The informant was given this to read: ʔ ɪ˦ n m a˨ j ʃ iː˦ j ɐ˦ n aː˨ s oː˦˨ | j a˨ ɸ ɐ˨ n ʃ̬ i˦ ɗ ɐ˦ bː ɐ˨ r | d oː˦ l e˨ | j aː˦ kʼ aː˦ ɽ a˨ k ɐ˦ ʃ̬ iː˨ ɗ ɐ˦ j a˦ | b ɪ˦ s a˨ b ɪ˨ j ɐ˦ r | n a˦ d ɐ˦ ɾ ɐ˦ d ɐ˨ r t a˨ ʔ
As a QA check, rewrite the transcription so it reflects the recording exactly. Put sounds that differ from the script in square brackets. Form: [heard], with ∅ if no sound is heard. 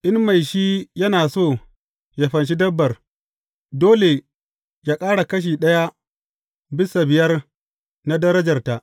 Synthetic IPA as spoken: ʔ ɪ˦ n m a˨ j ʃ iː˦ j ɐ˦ n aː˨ s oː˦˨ | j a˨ ɸ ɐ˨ n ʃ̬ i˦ [d] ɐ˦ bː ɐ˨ r | d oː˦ l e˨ | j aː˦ kʼ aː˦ ɽ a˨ k ɐ˦ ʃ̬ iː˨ ɗ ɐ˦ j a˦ | b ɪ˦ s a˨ b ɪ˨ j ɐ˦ r | n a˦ d ɐ˦ ɾ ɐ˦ [d͡ʒ] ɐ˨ r t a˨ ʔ